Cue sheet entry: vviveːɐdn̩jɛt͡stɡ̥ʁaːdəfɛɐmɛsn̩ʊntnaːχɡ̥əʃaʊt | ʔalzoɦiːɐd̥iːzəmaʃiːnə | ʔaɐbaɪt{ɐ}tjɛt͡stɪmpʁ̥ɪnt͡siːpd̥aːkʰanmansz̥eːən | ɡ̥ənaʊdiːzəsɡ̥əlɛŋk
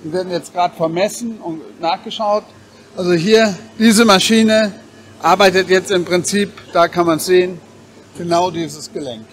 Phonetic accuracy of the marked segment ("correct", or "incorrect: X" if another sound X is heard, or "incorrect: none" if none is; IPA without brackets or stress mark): incorrect: ə